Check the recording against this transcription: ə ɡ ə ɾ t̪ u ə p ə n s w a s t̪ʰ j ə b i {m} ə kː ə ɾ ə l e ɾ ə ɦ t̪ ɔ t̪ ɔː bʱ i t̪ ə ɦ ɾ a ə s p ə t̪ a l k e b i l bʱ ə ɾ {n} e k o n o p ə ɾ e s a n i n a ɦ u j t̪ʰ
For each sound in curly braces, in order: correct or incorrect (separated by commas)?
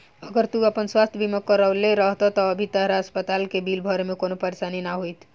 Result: correct, incorrect